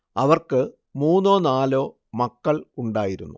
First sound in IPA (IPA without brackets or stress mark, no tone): ɐ